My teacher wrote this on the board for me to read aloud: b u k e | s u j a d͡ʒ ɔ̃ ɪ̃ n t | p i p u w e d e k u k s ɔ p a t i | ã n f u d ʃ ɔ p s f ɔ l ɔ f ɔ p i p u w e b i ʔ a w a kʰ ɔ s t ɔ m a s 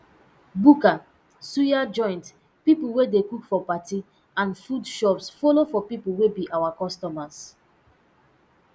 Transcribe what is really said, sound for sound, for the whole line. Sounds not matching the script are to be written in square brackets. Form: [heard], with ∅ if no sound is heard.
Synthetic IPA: b u k [a] | s u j a d͡ʒ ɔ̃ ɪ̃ n t | p i p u w e d e k u k [f] ɔ p a t i | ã n f u d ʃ ɔ p s f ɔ l [o] f ɔ p i p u w e b i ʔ a w a [k] ɔ s t ɔ m a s